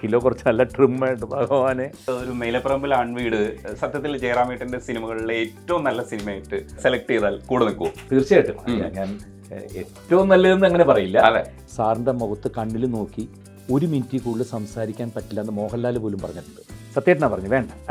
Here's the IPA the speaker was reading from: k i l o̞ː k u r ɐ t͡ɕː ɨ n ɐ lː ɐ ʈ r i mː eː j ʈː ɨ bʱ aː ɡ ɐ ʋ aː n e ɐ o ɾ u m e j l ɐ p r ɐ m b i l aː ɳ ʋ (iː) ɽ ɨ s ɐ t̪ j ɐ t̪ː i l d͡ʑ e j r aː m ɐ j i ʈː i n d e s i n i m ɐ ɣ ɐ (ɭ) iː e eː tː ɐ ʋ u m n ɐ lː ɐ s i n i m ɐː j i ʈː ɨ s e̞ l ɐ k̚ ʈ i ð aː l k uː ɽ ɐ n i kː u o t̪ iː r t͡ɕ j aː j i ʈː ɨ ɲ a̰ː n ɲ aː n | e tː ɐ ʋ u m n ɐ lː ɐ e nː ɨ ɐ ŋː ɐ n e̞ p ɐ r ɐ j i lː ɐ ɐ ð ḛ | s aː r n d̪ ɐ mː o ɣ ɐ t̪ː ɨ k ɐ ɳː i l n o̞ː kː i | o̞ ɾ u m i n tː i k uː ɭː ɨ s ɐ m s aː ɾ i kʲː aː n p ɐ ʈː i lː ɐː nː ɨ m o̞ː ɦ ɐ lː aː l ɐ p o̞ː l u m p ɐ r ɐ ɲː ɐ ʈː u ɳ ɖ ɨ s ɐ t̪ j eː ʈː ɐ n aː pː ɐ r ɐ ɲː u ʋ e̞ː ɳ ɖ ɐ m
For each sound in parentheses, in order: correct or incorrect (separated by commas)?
correct, correct